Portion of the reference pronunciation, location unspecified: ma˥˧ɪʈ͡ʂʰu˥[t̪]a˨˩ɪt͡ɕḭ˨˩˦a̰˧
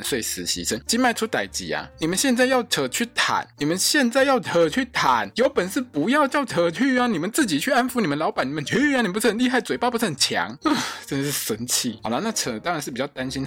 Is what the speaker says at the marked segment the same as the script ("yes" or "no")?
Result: yes